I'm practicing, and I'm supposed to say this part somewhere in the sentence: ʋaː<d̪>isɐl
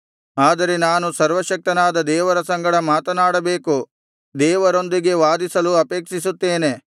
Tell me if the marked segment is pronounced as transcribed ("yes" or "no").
yes